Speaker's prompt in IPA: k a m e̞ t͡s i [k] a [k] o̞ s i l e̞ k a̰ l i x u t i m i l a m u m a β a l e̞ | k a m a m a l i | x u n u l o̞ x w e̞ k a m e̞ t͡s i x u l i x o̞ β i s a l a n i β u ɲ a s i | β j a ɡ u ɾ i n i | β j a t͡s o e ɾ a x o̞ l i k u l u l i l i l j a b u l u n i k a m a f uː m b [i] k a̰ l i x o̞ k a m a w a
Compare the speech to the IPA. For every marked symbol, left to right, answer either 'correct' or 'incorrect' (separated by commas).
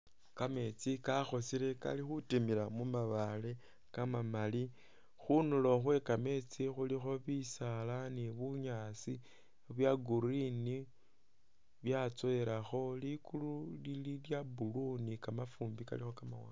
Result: correct, incorrect, correct